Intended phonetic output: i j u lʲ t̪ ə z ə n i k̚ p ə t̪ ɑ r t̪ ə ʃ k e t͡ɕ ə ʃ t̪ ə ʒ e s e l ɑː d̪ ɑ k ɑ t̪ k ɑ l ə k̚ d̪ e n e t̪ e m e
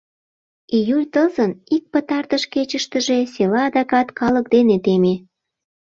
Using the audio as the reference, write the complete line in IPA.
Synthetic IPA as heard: i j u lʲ t̪ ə z ə n i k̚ p ə t̪ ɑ r t̪ ə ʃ k e t͡ɕ ə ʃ t̪ ə ʒ e s e l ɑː d̪ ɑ k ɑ t̪ k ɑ l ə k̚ d̪ e n e t̪ e m e